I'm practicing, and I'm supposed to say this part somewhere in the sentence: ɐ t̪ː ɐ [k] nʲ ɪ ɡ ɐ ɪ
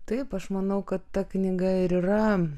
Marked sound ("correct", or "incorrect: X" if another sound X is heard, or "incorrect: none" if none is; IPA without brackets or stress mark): correct